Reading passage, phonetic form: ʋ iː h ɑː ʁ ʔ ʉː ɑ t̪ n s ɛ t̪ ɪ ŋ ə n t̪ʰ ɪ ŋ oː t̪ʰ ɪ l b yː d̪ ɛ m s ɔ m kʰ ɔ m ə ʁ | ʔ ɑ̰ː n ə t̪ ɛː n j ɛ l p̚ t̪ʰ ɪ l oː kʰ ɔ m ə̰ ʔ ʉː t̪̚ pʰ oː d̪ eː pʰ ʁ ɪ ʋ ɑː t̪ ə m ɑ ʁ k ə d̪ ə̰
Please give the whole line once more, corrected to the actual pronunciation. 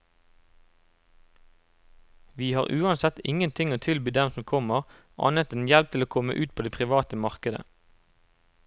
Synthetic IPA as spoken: ʋ iː h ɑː ʁ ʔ ʉː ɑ n s ɛ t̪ ɪ ŋ ə n t̪ʰ ɪ ŋ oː t̪ʰ ɪ l b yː d̪ ɛ m s ɔ m kʰ ɔ m ə ʁ | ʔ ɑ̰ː n ə t̪ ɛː n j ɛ l p̚ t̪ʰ ɪ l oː kʰ ɔ m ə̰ ʔ ʉː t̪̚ pʰ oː d̪ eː pʰ ʁ ɪ ʋ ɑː t̪ ə m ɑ ʁ k ə d̪ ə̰